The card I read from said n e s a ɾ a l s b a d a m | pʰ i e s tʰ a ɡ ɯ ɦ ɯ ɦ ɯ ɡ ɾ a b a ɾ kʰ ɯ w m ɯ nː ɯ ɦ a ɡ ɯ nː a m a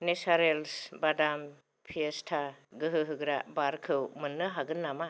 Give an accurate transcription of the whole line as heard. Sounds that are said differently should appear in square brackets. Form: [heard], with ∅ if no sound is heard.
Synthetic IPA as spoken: n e s a ɾ [e] l s b a d a m | pʰ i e s tʰ a ɡ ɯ ɦ ɯ ɦ ɯ ɡ ɾ a b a ɾ kʰ ɯ w m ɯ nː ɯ ɦ a ɡ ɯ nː a m a